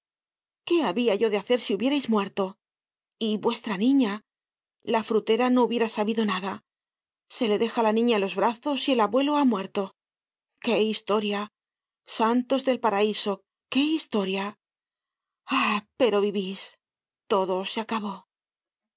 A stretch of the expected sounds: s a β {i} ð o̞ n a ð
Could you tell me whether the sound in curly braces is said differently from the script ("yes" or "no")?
no